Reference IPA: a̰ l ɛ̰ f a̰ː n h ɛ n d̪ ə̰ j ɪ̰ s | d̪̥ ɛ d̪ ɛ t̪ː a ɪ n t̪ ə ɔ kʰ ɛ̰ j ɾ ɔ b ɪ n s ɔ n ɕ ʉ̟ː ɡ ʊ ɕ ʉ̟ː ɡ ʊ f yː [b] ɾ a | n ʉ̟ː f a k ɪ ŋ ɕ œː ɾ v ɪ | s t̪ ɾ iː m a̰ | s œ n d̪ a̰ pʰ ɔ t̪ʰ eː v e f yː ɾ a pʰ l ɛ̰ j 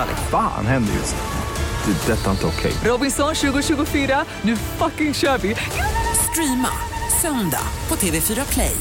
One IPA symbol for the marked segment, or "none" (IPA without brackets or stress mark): none